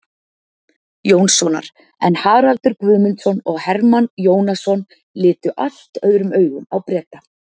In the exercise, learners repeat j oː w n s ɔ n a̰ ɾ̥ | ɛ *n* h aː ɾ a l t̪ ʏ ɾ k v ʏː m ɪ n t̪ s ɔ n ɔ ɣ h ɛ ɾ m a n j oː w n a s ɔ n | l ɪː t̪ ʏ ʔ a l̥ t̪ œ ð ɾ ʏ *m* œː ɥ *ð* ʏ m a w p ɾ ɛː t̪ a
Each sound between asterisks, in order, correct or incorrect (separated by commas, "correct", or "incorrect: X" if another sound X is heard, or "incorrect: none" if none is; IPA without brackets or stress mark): correct, correct, incorrect: ɣ